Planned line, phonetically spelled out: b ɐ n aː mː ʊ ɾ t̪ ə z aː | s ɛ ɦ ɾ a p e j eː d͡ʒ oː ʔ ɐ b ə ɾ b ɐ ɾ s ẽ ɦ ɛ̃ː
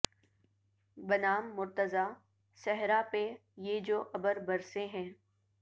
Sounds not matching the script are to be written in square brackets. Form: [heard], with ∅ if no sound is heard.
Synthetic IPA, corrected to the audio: b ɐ n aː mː ʊ ɾ t̪ ə z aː | s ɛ ɦ ɾ a p e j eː d͡ʒ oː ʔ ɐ b ə ɾ b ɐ ɾ s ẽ ɦ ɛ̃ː